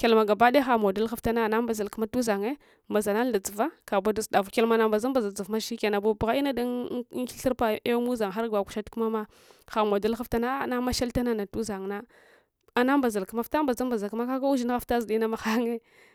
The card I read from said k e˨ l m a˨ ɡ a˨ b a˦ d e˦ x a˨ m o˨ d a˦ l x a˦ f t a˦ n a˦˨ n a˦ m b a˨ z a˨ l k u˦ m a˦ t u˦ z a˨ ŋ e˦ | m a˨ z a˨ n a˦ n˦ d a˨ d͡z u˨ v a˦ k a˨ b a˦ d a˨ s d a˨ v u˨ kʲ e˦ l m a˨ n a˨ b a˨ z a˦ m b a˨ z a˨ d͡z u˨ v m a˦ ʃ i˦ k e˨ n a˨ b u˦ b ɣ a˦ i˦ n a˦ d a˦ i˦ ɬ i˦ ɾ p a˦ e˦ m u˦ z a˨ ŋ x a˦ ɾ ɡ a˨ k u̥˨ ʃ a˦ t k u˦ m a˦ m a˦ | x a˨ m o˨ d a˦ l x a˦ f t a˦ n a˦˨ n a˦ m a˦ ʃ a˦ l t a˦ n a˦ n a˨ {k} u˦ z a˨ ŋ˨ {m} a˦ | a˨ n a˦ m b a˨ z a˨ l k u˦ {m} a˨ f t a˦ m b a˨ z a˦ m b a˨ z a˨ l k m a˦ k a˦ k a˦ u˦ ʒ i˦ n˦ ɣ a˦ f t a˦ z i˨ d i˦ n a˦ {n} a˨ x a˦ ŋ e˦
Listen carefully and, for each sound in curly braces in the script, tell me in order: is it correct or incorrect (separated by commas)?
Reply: incorrect, incorrect, correct, incorrect